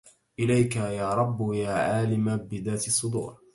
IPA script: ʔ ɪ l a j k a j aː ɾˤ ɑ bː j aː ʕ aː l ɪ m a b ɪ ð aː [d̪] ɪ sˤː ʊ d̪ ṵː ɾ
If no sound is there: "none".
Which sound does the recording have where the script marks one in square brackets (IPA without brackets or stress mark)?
t̪